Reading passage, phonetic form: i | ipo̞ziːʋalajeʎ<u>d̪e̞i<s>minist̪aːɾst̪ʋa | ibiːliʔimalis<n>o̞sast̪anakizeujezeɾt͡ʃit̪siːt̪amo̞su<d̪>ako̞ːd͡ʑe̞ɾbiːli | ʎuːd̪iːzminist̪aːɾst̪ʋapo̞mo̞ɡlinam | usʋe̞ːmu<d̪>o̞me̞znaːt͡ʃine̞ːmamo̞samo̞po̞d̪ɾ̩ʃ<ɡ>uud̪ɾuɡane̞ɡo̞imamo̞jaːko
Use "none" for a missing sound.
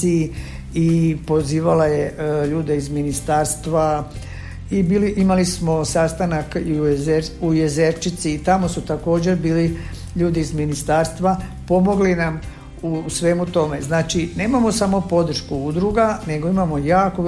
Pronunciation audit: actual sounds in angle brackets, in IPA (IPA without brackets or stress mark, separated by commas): uː, z, m, t̪, t̪, k